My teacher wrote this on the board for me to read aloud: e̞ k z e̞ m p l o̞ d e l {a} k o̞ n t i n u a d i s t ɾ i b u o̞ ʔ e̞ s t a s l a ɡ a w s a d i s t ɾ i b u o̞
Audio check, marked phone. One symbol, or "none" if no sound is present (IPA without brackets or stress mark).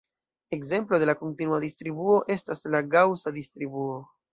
a